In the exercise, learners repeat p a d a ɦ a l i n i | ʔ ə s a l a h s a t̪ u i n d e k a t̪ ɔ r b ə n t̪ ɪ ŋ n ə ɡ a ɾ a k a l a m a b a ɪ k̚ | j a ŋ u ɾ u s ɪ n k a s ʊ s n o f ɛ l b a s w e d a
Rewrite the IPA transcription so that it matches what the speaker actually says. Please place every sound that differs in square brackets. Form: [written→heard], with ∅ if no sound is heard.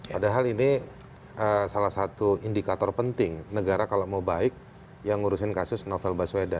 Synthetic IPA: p a d a ɦ a l i n i | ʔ ə s a l a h s a t̪ u i n d [e→i] k a t̪ ɔ r [b→p] ə n t̪ ɪ ŋ n ə ɡ a ɾ a k a l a m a b a ɪ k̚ | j a ŋ u ɾ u s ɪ n k a s ʊ s n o f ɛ l b a s w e d a